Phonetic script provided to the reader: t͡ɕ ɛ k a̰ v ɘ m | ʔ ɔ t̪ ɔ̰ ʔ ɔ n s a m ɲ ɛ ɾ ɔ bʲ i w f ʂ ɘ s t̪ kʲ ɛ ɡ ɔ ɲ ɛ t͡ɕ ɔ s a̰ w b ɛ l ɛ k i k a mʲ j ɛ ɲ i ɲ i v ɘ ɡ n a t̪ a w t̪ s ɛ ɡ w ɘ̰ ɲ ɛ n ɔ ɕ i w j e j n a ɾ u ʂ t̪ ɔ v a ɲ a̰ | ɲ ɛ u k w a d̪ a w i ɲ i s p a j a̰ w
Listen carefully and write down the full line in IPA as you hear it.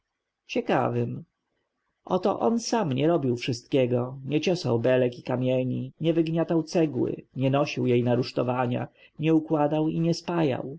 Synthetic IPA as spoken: t͡ɕ ɛ k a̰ v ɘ m | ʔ ɔ t̪ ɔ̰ ʔ ɔ n s a m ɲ ɛ ɾ ɔ bʲ i w f ʂ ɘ s t̪ kʲ ɛ ɡ ɔ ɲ ɛ t͡ɕ ɔ s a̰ w b ɛ l ɛ k i k a mʲ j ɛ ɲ i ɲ ɛ v ɘ ɡ ɲ a t̪ a w t̪ s ɛ ɡ w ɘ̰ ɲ ɛ n ɔ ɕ i w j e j n a ɾ u ʂ t̪ ɔ v a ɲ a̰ | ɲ ɛ u k w a d̪ a w i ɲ ɛ s p a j a̰ w

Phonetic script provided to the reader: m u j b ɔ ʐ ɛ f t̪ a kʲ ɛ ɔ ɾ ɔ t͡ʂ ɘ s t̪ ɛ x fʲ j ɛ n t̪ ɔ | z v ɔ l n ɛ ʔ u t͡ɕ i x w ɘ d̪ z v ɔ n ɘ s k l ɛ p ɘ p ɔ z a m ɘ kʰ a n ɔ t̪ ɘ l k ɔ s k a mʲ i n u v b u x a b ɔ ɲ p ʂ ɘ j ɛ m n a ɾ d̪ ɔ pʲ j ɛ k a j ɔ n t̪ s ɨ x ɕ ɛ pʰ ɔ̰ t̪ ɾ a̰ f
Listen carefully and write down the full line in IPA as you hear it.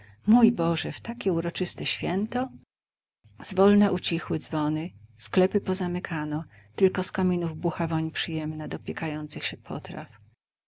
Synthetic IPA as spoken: m u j b ɔ ʐ ɛ f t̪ a kʲ ɛ u ɾ ɔ t͡ʂ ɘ s t̪ ɛ ɕ fʲ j ɛ n t̪ ɔ | z v ɔ l n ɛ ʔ u t͡ɕ i x w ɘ d̪ z v ɔ n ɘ s k l ɛ p ɘ p ɔ z a m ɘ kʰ a n ɔ t̪ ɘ l k ɔ s k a mʲ i n u v b u x a v ɔ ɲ p ʂ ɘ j ɛ m n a d̪ ɔ pʲ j ɛ k a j ɔ n t̪ s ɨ x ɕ ɛ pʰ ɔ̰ t̪ ɾ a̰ f

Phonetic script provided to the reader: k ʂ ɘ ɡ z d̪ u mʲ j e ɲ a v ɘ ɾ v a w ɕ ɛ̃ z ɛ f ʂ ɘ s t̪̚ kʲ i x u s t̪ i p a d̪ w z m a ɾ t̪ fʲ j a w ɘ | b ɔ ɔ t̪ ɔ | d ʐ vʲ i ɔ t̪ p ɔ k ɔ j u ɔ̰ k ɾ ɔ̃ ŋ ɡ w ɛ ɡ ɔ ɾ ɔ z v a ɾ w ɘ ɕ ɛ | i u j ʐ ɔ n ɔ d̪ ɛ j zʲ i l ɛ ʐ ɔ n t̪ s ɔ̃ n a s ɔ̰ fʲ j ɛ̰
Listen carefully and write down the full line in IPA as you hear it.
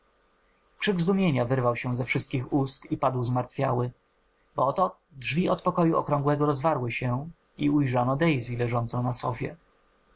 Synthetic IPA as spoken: k ʂ ɘ ɡ z d̪ u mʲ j e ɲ a v ɘ ɾ v a w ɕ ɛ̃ z ɛ f ʂ ɘ s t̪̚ kʲ i x u s t̪ i p a d̪ w z m a ɾ t̪ fʲ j a w ɘ | b ɔ ɔ t̪ ɔ | d ʐ vʲ i ɔ t̪ p ɔ k ɔ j u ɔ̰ k ɾ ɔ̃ ŋ ɡ w ɛ ɡ ɔ ɾ ɔ z v a ɾ w ɘ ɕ ɛ | i u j ʐ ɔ n ɔ d̪ ɛ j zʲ i l ɛ ʐ ɔ n t̪ s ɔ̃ n a s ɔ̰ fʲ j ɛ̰

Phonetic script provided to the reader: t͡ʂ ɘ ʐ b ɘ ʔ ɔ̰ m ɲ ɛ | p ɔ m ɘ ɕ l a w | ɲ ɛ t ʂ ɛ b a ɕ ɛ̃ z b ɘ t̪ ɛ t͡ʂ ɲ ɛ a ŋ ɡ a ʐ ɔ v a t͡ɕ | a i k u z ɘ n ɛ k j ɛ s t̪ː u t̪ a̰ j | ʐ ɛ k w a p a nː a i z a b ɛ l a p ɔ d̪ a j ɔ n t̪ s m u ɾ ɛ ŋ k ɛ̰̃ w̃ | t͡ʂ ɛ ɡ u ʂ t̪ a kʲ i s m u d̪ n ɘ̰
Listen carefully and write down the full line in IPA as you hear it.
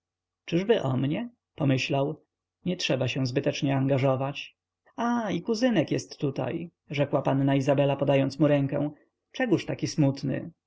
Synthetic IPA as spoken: t͡ʂ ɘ ʐ b ɘ ʔ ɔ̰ m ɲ ɛ | p ɔ m ɘ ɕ l a w | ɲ ɛ t ʂ ɛ b a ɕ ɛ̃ z b ɘ t̪ ɛ t͡ʂ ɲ ɛ a ŋ ɡ a ʐ ɔ v a t͡ɕ | a i k u z ɘ n ɛ k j ɛ s t̪ː u t̪ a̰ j | ʐ ɛ k w a p a nː a i z a b ɛ l a p ɔ d̪ a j ɔ n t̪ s m u ɾ ɛ ŋ k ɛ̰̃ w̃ | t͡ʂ ɛ ɡ u ʂ t̪ a kʲ i s m u t̪ n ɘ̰

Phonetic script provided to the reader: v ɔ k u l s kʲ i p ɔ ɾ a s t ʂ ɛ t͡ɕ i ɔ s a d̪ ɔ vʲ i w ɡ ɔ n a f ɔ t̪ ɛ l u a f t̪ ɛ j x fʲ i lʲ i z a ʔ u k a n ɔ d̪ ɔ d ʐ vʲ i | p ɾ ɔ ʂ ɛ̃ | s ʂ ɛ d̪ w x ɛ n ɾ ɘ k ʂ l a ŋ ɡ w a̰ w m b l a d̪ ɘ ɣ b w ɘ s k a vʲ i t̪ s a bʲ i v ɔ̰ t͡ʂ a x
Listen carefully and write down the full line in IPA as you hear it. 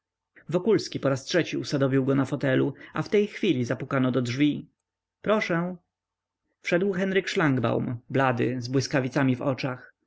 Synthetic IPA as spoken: v ɔ k u l s kʲ i p ɔ ɾ a s t ʂ ɛ t͡ɕ i u s a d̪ ɔ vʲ i w ɡ ɔ n a f ɔ t̪ ɛ l u a f t̪ ɛ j x fʲ i lʲ i z a p u k a n ɔ d̪ ɔ d ʐ vʲ i | p ɾ ɔ ʂ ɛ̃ | f ʂ ɛ d̪ w x ɛ n ɾ ɘ k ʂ l a ŋ ɡ b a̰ w m b l a d̪ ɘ z b w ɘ s k a vʲ i t̪ s a mʲ i v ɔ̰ t͡ʂ a x

